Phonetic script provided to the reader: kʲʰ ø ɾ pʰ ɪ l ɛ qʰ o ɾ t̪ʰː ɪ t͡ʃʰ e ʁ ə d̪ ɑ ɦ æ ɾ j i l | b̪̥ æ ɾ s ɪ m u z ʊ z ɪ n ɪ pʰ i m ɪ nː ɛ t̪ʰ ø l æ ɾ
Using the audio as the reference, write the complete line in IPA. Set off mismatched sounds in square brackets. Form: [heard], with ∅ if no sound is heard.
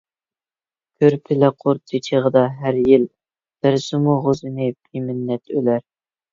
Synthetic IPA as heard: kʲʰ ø ɾ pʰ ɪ l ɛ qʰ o ɾ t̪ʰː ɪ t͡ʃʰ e ʁ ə d̪ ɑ ɦ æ ɾ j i l | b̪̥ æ ɾ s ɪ m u [ʁ] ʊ z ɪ n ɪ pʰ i m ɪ nː ɛ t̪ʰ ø l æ ɾ